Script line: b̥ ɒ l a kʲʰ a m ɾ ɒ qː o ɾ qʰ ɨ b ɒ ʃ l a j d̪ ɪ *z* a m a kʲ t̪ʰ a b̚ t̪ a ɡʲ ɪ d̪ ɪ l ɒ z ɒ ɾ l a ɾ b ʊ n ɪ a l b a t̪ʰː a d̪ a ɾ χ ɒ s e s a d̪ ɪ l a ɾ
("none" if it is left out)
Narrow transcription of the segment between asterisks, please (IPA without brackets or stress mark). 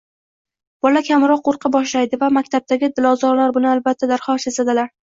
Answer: v